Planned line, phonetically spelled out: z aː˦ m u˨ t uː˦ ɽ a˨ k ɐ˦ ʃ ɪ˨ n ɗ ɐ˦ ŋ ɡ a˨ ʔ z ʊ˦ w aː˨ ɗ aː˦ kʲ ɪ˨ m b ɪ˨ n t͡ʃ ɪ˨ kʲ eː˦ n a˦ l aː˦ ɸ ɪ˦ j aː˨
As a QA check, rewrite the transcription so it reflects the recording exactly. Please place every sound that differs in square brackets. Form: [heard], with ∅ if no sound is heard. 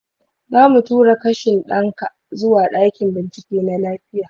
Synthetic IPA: z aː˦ m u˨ t uː˦ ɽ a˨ k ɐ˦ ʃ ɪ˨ n ɗ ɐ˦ ŋ [k] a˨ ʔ z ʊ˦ w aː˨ ɗ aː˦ kʲ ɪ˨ m b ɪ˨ n t͡ʃ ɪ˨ kʲ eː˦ n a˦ l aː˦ ɸ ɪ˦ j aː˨